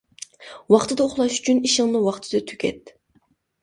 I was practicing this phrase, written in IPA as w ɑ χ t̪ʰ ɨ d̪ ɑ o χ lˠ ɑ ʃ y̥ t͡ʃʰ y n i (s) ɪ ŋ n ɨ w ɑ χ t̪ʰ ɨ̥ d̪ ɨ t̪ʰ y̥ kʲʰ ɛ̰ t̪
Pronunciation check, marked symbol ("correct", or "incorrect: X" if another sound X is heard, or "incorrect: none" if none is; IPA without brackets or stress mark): incorrect: ʃ